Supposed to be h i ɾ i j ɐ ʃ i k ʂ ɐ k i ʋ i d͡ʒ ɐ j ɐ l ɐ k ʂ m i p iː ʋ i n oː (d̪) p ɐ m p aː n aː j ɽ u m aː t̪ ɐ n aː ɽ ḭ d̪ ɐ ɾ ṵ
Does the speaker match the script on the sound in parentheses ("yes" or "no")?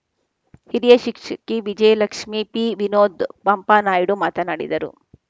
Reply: yes